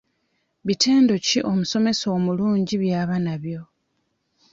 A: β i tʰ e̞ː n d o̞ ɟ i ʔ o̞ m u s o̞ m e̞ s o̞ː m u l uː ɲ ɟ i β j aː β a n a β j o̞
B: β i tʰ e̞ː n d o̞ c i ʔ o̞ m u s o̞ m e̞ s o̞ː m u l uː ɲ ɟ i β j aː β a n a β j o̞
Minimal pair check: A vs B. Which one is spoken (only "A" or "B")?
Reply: B